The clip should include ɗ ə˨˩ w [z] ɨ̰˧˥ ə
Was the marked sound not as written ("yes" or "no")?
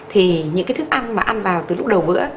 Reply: yes